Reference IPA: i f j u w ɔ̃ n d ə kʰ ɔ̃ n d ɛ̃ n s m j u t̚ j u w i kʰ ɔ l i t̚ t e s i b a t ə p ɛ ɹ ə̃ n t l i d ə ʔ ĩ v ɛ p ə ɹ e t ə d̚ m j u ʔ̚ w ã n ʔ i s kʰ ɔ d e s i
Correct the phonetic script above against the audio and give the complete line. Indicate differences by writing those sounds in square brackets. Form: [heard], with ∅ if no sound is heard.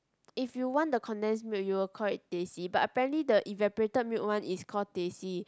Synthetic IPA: i f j u w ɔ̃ n d ə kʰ ɔ̃ n d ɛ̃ n s m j u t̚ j u w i kʰ ɔ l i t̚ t e s i b a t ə p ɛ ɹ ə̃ n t l i d ə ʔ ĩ v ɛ p ə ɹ e t ə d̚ m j u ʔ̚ w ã n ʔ i s kʰ ɔ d e s i